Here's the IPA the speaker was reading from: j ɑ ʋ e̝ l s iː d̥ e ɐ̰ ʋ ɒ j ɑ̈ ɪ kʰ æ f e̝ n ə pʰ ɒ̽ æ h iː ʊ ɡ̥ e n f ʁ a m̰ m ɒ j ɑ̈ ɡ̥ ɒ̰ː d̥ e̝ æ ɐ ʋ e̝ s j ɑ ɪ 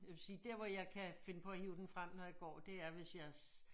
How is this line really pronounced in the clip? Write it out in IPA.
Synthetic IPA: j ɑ ʋ e̝ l s iː d̥ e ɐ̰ ʋ ɒ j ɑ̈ ɪ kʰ æ f e̝ n ə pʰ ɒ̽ æ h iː ʊ d̥ e n f ʁ a m̰ n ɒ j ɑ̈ ɡ̥ ɒ̰ː d̥ e̝ æ ɐ ʋ e̝ s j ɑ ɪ